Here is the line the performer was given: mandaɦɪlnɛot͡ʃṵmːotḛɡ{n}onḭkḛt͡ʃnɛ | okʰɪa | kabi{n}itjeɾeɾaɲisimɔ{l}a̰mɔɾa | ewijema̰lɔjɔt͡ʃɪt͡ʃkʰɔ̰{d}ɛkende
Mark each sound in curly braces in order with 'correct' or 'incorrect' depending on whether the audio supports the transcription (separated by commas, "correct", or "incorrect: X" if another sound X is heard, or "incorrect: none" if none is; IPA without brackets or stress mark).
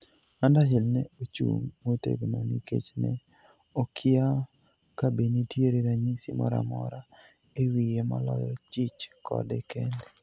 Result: correct, correct, incorrect: ɾ, correct